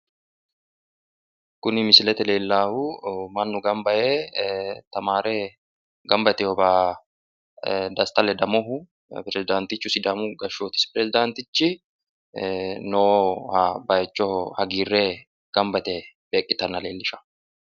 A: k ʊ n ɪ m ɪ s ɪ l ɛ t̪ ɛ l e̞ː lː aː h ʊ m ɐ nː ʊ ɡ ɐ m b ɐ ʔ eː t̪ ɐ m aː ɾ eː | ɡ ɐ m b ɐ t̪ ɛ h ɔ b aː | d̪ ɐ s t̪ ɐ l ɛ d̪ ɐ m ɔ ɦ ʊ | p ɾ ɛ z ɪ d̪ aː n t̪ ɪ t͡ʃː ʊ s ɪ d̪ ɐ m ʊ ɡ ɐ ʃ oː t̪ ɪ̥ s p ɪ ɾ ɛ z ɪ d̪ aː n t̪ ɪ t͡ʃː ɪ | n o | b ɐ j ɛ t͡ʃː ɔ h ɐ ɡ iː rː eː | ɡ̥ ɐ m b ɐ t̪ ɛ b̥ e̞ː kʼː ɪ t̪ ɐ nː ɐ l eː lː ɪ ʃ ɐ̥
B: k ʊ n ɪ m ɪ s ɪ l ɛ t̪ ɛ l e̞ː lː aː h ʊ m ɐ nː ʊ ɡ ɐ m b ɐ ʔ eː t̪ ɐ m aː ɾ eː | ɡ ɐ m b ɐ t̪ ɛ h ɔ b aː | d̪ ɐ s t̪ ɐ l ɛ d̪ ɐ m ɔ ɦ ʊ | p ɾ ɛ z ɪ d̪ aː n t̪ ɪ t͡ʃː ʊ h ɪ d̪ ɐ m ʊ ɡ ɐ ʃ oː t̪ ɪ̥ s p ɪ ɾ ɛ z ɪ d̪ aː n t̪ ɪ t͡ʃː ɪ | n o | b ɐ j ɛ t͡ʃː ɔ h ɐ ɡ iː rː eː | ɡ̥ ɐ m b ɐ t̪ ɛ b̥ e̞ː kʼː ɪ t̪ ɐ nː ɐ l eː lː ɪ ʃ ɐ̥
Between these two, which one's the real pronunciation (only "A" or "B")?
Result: A